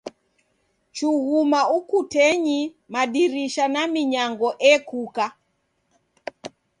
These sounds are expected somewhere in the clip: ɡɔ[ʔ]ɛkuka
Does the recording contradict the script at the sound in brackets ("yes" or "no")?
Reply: no